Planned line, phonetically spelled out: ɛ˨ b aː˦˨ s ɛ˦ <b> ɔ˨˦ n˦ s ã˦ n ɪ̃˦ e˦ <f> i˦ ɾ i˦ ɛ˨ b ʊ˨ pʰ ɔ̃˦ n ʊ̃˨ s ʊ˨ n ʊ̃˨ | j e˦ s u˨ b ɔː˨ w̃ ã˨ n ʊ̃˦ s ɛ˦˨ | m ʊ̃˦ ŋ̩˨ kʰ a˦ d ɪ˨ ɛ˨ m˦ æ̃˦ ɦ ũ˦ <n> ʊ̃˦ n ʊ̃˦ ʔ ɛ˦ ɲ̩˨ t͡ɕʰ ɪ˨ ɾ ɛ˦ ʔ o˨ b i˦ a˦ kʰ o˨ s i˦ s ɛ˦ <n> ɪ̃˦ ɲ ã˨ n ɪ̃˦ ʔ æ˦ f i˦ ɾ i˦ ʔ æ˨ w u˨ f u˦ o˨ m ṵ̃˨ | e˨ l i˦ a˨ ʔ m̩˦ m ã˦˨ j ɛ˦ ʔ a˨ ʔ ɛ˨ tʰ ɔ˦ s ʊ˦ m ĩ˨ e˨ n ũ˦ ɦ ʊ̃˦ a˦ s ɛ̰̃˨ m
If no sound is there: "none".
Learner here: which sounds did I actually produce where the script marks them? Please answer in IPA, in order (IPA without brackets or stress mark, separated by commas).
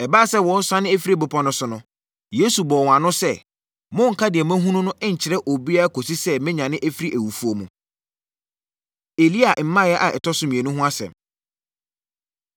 w, f, n, m